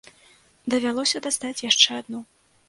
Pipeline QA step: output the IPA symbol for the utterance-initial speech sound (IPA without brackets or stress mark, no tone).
d̪